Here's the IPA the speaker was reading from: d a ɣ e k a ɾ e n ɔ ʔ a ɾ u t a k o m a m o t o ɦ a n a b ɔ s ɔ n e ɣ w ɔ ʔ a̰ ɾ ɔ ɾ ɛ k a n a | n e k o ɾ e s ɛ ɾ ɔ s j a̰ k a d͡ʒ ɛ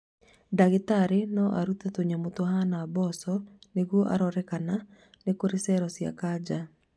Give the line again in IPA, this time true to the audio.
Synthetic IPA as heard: d a ɣ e t a ɾ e n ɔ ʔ a ɾ u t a t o ɲ a m o t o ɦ a n a b ɔ s ɔ n e ɣ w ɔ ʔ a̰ ɾ ɔ ɾ ɛ k a n a | n e k o ɾ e s ɛ ɾ ɔ s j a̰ k a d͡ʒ a